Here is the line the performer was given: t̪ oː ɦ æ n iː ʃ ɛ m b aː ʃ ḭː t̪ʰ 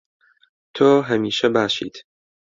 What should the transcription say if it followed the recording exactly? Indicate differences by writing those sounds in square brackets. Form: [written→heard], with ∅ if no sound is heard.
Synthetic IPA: [t̪→t̪ʰ] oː ɦ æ [n→m] iː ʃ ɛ [m→∅] b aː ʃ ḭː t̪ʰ